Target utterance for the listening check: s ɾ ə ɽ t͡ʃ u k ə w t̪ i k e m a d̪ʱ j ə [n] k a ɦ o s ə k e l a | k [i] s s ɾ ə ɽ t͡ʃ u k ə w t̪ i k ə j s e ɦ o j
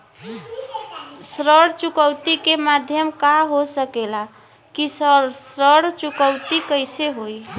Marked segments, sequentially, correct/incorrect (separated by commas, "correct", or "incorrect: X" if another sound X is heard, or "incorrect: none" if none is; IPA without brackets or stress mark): incorrect: m, correct